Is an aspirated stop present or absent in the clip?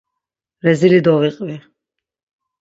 absent